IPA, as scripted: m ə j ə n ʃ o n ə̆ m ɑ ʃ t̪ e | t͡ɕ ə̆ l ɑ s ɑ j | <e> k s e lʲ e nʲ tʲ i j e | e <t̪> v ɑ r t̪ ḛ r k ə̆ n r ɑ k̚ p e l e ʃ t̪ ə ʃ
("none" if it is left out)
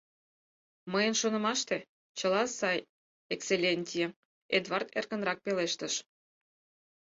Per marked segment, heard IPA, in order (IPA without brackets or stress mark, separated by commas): e, d̪